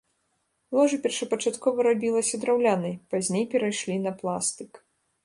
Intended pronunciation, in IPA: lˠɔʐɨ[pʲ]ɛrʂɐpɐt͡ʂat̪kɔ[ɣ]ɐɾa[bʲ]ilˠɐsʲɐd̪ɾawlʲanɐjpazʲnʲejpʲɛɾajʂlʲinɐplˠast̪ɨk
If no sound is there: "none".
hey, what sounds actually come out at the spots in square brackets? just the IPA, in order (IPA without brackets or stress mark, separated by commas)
pʲ, v, bʲ